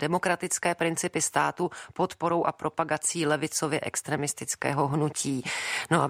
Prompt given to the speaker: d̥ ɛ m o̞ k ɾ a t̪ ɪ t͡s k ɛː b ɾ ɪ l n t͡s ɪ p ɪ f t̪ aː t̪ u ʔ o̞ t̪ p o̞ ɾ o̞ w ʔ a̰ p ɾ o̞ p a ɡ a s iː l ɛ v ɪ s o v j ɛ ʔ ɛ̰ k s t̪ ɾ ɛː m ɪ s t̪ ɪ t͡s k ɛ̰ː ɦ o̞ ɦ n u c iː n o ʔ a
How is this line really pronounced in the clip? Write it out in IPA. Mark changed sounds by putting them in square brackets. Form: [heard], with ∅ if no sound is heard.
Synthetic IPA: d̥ ɛ m o̞ k ɾ a t̪ ɪ t͡s k ɛː [p] ɾ ɪ [∅] n t͡s ɪ p ɪ [s] t̪ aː t̪ u [p] o̞ t̪ p o̞ ɾ o̞ w ʔ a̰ p ɾ o̞ p a ɡ a [t͡s] iː l ɛ v ɪ [t͡s] o v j ɛ ʔ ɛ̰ k s t̪ ɾ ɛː m ɪ s t̪ ɪ t͡s k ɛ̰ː ɦ o̞ ɦ n u c iː n o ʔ a